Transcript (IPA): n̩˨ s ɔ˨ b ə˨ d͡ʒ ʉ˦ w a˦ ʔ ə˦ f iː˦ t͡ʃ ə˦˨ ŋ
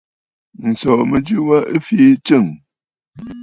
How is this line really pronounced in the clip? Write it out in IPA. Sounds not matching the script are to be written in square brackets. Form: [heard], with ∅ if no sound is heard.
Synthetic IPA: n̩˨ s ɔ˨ [m] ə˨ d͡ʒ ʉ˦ w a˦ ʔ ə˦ f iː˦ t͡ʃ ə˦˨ ŋ